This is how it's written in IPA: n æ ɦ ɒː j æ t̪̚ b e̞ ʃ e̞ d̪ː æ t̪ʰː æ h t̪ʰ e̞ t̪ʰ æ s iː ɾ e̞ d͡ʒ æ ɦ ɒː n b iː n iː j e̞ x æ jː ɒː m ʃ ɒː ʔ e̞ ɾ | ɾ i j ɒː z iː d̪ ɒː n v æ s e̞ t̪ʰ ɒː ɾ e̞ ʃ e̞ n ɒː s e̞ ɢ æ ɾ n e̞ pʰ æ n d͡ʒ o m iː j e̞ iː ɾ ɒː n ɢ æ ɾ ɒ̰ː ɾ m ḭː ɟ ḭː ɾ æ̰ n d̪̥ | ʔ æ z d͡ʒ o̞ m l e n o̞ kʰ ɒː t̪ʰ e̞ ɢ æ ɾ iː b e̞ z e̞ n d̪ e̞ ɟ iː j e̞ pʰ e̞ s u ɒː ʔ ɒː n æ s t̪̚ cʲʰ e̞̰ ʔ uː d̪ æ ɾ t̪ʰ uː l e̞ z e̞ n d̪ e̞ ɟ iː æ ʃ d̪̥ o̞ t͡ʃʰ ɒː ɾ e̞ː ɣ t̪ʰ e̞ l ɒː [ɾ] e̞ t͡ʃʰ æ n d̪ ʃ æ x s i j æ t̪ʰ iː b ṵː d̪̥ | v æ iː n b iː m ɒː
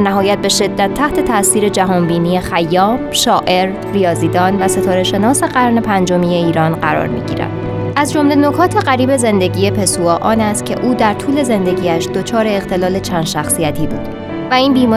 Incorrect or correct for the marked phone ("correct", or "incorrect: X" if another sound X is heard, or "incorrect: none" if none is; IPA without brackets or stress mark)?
incorrect: l